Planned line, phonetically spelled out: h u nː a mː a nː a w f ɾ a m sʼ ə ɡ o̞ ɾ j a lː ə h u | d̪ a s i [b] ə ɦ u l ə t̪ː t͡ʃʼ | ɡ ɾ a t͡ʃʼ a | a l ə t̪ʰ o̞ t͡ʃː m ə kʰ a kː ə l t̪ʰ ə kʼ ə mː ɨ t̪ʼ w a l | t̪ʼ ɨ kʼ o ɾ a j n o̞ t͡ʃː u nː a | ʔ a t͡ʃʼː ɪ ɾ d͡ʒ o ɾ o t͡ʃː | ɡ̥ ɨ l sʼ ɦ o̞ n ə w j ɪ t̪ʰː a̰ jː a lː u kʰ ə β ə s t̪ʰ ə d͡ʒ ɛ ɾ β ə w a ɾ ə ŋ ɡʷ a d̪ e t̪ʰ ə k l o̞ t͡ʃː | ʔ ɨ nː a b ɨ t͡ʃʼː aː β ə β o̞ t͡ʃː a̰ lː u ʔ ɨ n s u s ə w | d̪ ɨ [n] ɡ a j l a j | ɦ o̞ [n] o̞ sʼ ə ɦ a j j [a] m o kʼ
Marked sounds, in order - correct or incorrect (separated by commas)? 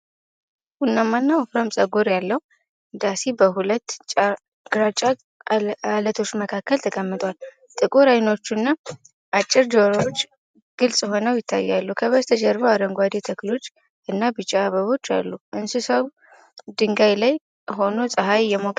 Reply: correct, incorrect, correct, incorrect